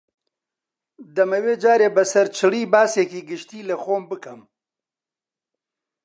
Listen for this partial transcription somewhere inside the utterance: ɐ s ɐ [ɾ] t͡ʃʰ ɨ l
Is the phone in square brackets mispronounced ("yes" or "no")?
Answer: no